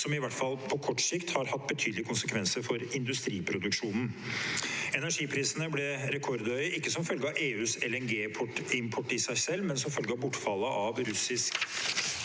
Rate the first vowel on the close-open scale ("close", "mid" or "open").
mid